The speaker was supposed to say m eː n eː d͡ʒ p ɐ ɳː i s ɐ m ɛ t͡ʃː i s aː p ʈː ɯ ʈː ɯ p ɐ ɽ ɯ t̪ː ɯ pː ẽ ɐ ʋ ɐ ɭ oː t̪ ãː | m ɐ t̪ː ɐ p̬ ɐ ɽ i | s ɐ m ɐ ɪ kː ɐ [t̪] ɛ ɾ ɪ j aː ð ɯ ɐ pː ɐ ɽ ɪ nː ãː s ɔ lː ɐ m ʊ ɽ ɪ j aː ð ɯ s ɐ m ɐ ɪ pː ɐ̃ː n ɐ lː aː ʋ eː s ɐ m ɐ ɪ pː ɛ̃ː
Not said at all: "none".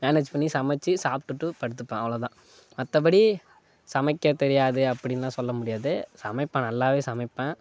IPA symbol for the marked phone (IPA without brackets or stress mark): t̪